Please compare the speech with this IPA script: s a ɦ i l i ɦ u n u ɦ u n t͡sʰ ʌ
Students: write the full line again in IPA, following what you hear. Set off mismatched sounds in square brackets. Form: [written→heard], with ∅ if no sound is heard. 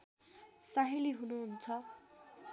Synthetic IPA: s a ɦ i l i ɦ u n u ɦ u n t͡sʰ ʌ